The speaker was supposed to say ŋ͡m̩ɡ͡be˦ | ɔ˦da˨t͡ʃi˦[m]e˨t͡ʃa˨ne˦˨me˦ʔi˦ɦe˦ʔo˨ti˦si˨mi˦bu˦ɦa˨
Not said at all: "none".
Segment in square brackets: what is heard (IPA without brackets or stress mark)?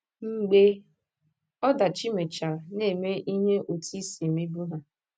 m